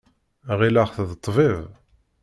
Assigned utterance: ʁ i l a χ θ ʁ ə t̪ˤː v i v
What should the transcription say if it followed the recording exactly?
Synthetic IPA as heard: ʁ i l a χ θ ð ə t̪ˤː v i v